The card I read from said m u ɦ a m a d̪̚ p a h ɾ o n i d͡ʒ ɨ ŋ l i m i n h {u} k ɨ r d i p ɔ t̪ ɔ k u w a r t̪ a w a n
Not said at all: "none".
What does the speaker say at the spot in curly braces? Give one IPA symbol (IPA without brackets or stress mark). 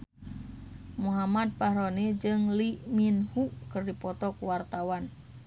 u